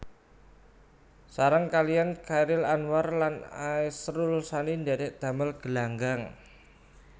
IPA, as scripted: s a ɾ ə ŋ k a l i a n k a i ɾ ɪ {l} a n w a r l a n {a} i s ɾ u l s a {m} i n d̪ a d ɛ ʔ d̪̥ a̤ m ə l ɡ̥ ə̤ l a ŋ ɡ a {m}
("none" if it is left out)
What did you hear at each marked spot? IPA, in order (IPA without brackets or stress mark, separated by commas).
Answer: l, a, n, ŋ